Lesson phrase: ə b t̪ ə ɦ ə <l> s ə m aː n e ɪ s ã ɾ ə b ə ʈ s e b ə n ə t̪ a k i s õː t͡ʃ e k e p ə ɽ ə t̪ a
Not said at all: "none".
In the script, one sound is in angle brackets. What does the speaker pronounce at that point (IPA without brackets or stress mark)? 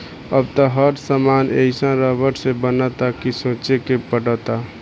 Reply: ɾ